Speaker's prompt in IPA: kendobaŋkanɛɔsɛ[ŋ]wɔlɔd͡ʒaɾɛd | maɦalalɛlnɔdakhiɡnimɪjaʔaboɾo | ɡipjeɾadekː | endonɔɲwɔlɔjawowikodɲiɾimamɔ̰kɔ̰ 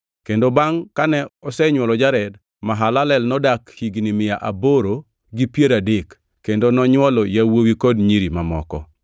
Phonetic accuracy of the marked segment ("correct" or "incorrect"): incorrect